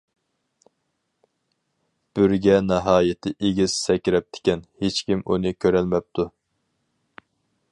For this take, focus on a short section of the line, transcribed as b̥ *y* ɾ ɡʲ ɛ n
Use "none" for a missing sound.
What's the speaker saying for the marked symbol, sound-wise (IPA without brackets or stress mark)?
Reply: y